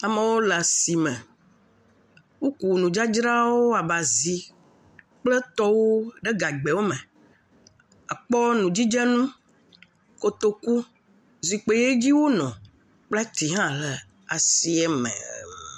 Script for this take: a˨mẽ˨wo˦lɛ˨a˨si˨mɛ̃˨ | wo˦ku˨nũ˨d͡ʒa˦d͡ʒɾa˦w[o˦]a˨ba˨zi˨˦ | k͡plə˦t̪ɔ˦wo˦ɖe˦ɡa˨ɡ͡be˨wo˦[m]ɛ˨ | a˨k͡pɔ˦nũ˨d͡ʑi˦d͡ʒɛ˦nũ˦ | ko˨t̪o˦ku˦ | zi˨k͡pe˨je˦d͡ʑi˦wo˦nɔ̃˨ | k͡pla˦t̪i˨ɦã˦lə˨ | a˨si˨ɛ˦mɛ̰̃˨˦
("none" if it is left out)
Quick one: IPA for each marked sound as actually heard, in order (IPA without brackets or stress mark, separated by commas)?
o˦, m